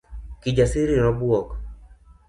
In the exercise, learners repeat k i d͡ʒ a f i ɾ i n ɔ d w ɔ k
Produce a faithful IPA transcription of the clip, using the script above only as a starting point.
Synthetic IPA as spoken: k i d͡ʒ a s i ɾ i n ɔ b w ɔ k